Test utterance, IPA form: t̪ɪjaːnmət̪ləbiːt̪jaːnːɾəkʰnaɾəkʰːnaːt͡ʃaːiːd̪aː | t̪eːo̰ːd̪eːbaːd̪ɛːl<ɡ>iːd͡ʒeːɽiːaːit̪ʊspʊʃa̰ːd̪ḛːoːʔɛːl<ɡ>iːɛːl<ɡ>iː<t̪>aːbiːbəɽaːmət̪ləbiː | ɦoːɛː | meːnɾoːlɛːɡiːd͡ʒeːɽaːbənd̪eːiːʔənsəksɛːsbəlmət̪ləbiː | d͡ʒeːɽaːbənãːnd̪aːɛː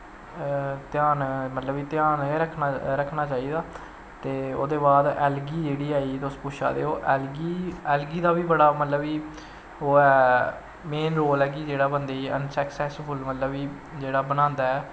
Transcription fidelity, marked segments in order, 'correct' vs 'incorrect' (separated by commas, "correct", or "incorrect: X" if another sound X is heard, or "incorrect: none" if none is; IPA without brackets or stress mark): correct, correct, correct, incorrect: d̪